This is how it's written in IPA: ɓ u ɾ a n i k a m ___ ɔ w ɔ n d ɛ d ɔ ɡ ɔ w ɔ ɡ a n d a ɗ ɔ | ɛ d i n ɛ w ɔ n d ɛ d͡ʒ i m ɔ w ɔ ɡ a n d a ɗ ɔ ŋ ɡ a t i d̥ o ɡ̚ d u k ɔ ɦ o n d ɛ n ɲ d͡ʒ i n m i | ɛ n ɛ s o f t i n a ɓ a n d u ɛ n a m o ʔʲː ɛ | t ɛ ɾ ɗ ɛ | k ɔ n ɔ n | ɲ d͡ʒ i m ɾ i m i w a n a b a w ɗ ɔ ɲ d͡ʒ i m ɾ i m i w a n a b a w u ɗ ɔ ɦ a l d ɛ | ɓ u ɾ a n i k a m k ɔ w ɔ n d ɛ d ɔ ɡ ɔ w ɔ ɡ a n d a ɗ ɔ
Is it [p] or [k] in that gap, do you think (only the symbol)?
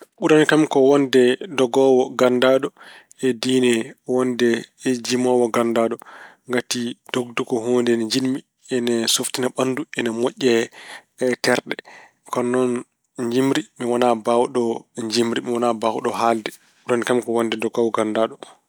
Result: k